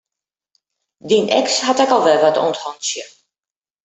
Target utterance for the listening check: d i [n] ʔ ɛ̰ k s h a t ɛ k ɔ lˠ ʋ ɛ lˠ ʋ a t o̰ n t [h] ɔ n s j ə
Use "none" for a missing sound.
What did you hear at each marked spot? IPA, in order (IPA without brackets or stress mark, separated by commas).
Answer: n, h